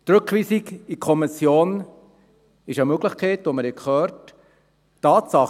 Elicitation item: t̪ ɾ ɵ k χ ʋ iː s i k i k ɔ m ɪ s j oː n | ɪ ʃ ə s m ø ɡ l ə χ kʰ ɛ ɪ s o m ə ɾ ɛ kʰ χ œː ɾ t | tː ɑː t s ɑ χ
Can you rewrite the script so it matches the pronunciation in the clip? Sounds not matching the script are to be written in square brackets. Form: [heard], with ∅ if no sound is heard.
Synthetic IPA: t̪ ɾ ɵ k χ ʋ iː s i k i [kʰ] ɔ m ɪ s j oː n | ɪ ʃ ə [∅] m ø ɡ l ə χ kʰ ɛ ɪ [t] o m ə ɾ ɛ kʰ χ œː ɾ t | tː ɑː t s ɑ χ